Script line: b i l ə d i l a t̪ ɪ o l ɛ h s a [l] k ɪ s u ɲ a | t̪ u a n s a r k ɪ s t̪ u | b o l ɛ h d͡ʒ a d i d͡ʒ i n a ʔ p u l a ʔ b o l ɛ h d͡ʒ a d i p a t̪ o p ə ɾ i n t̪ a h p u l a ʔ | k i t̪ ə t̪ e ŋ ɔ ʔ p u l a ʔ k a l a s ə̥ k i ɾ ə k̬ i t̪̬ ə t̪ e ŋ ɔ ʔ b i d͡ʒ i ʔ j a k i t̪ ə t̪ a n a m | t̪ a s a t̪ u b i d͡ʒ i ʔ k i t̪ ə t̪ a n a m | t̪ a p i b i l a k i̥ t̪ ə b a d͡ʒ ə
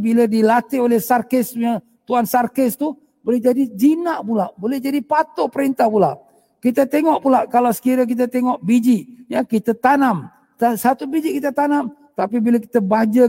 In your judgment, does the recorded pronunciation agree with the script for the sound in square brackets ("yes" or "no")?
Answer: no